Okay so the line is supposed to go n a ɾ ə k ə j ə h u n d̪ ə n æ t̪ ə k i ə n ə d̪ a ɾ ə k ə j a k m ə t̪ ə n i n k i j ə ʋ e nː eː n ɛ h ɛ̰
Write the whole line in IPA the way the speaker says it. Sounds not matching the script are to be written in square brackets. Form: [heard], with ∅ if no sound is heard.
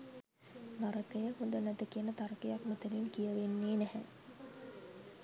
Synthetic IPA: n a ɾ ə k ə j ə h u n d̪ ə n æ t̪ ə k i ə n ə [t̪] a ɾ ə k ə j a k m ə t̪ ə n i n k i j ə ʋ e nː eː n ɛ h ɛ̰